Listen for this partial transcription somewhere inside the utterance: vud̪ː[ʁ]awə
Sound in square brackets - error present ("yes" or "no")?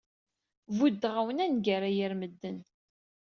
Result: no